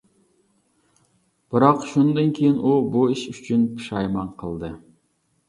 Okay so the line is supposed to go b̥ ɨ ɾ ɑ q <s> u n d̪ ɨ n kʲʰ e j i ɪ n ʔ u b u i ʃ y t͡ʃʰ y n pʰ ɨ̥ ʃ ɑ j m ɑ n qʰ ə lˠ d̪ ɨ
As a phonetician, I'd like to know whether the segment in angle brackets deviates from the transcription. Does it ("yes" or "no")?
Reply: yes